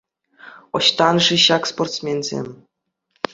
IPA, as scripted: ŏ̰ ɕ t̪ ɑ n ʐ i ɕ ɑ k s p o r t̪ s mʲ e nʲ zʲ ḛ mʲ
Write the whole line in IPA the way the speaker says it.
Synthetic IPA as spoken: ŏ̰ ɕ t̪ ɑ n ʐ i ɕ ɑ k s p o r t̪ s mʲ e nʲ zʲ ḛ mʲ